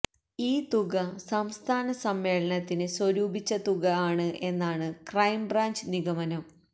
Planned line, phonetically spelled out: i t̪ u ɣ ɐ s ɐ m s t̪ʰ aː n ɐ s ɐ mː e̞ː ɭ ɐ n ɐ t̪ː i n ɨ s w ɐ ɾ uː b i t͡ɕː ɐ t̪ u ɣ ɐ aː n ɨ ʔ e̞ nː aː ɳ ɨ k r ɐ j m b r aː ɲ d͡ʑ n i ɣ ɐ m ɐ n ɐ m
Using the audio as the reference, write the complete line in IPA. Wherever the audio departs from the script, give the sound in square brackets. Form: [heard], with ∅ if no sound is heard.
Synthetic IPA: [iː] t̪ u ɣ ɐ s ɐ m s t̪ʰ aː n ɐ s ɐ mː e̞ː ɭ ɐ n ɐ t̪ː i n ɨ s w ɐ ɾ uː b i t͡ɕː ɐ t̪ u ɣ ɐ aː [ɳ] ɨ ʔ e̞ nː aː ɳ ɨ k r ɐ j m b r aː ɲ d͡ʑ n i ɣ ɐ m ɐ n ɐ m